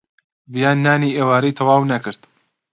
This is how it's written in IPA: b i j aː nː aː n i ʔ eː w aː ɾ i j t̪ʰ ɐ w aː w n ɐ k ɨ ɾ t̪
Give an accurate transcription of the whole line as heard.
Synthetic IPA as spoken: b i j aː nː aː n i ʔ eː w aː ɾ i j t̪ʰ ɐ w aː w n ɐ k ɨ ɾ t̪